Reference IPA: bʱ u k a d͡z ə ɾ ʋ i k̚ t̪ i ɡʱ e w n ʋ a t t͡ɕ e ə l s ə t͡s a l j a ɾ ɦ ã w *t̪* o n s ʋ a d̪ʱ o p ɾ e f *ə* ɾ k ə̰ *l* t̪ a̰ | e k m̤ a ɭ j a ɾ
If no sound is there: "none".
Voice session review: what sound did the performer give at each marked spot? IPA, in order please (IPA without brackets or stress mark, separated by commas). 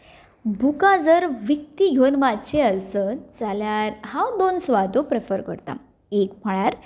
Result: d̪, ə, ɾ